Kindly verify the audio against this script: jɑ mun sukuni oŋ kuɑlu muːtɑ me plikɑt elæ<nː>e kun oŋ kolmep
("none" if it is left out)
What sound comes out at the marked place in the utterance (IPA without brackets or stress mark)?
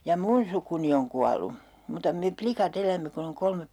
mː